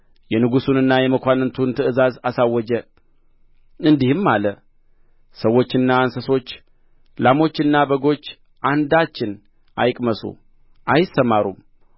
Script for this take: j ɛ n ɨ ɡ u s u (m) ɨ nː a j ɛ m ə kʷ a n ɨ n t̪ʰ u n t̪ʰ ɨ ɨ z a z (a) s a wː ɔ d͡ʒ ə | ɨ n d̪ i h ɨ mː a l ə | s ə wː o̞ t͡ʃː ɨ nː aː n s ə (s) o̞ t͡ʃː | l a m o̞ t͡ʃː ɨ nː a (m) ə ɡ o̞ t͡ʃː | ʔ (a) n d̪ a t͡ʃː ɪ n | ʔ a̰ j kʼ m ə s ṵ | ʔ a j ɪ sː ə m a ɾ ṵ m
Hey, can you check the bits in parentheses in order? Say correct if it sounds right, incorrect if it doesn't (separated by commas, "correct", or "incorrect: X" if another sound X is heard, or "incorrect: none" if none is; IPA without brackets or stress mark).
incorrect: n, correct, correct, incorrect: b, correct